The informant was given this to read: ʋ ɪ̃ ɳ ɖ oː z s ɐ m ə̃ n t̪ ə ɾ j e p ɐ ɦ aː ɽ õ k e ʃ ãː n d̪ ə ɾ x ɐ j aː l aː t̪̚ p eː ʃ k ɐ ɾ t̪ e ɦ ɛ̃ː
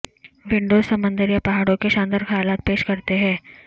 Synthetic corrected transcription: ʋ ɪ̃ ɳ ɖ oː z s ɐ m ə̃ n d̪ ə ɾ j a p ɐ ɦ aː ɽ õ k e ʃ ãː n d̪ ə ɾ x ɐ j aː l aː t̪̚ p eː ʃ k ɐ ɾ t̪ e ɦ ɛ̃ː